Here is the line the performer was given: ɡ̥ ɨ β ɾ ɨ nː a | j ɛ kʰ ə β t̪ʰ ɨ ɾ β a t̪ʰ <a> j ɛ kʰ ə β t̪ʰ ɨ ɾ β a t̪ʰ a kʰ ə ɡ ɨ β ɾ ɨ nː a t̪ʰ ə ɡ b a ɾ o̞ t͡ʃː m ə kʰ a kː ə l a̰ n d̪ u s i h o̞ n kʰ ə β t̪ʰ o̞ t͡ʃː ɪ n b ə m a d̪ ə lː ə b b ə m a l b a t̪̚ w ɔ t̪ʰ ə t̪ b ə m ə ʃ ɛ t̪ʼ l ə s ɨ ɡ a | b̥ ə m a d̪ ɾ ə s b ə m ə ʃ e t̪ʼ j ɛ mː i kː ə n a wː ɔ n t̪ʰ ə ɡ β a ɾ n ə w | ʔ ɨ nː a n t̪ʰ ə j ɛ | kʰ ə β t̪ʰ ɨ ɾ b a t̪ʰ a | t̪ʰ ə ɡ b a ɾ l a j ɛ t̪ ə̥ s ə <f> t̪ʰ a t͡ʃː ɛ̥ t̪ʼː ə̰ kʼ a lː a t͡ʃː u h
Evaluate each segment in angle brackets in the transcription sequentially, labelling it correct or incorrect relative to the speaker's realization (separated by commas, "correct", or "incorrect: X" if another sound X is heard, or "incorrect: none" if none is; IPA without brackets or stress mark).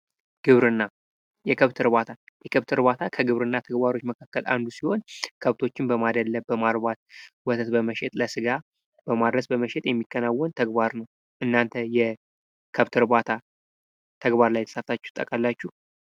correct, correct